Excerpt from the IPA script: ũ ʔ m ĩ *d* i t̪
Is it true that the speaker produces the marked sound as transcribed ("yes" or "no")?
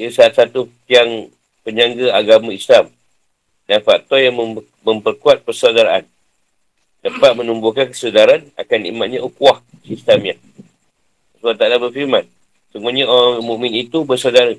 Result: no